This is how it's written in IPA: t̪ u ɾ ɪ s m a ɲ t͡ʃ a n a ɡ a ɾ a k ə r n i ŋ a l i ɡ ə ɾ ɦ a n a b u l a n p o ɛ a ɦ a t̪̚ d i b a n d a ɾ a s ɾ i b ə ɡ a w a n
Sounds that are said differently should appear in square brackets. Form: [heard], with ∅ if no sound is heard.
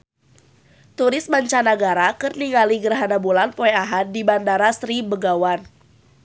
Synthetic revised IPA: t̪ u ɾ ɪ s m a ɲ t͡ʃ a n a ɡ a ɾ a k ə r n i ŋ a l i ɡ ə ɾ ɦ a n a b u l a n p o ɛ a ɦ a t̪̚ d i b a n d a ɾ a s ɾ i b ə ɡ a w a n

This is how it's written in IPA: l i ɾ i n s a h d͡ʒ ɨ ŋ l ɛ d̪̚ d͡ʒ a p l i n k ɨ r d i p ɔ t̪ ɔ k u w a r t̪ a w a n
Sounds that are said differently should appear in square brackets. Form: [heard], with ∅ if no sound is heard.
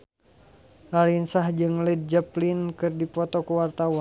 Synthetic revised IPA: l [a] ɾ i n s a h d͡ʒ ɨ ŋ l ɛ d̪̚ d͡ʒ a p l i n k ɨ r d i p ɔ t̪ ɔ k u w a r t̪ a w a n

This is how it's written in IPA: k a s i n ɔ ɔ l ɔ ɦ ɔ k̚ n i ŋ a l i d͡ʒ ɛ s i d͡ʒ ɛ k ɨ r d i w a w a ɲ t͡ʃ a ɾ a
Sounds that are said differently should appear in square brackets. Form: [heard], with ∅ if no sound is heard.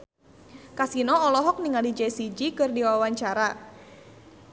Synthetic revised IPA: k a s i n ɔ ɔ l ɔ ɦ ɔ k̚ n i ŋ a l i d͡ʒ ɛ s i d͡ʒ [i] k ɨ r d i w a w a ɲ t͡ʃ a ɾ a

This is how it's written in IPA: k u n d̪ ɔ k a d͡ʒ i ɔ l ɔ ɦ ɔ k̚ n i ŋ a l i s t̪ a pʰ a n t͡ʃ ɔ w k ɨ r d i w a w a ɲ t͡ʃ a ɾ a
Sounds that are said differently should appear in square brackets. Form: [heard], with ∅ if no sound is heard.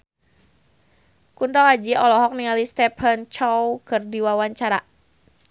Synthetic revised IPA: k u n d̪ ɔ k a d͡ʒ i ɔ l ɔ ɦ ɔ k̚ n i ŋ a l i s t̪ [ɛ] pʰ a n t͡ʃ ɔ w k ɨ r d i w a w a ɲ t͡ʃ a ɾ a

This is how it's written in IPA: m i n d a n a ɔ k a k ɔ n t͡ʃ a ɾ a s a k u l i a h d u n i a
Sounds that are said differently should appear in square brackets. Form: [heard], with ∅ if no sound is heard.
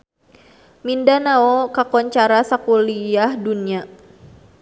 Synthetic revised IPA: m i n d a n a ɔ k a k ɔ [ɲ] t͡ʃ a ɾ a s a k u l i a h d u n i a

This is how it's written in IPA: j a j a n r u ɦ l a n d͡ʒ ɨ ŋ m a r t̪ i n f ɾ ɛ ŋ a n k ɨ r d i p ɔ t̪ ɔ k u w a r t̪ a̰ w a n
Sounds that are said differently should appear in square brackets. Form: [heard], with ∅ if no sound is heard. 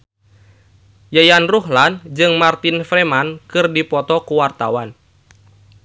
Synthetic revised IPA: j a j a n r u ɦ l a n d͡ʒ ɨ ŋ m a r t̪ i n f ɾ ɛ [m] a n k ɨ r d i p ɔ t̪ ɔ k u w a r t̪ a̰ w a n

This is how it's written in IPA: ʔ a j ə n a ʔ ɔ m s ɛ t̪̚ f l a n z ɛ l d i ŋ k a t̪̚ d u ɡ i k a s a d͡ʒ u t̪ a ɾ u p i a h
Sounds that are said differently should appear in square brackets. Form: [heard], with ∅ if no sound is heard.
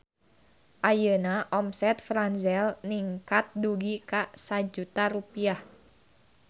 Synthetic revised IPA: ʔ a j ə n a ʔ ɔ m s ɛ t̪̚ f [ɾ] a n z ɛ l [n] i ŋ k a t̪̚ d u ɡ i k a s a d͡ʒ u t̪ a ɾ u p i a h

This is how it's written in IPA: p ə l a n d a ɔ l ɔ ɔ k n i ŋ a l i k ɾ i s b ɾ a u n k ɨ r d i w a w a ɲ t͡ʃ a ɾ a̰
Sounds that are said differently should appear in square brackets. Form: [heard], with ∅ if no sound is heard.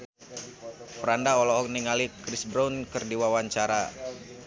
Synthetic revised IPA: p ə [ɾ] a n d a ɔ l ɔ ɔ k n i ŋ a l i k ɾ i s b ɾ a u n k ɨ r d i w a w a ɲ t͡ʃ a ɾ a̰

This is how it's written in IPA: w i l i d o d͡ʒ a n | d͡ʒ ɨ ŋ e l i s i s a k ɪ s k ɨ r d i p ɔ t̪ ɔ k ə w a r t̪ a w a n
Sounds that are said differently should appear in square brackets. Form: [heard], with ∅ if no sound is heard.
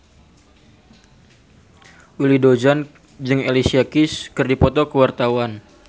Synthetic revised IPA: w i l i d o d͡ʒ a n | d͡ʒ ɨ ŋ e l i s i [∅] a k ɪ s k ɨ r d i p ɔ t̪ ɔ k ə w a r t̪ a w a n

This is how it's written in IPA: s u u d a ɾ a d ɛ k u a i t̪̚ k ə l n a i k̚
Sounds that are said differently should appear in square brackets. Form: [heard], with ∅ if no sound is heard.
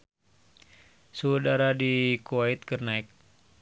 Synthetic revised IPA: s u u d a ɾ a d [i] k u a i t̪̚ k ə [r] n a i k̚

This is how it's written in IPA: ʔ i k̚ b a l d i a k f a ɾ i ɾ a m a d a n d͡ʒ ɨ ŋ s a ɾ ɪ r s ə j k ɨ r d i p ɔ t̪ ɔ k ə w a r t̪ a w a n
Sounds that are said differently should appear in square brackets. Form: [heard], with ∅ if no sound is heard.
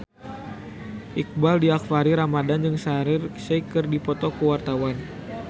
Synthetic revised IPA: ʔ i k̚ b a l d i a k f a ɾ i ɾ a m a d a n d͡ʒ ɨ ŋ s a ɾ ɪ r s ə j k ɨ r d i p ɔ t̪ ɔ k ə w a r t̪ a w a n

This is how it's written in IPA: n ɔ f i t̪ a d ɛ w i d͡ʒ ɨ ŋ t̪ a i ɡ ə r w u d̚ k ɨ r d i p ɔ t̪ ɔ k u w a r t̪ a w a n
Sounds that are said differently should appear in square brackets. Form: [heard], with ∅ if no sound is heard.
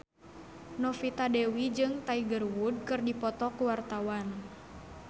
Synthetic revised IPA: n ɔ f i t̪ a d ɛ w i d͡ʒ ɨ ŋ t̪ a i ɡ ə r w u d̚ k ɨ r d i p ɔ t̪ ɔ k u w a r t̪ a w a n

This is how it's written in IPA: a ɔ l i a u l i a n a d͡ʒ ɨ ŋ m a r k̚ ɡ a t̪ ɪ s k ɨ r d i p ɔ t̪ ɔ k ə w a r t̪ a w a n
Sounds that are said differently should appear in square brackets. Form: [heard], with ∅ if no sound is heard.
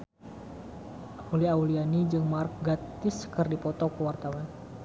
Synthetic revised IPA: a [u] l i a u l i a n [i] d͡ʒ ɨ ŋ m a r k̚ ɡ a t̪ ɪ s k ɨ r d i p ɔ t̪ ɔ k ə w a r t̪ a w a n

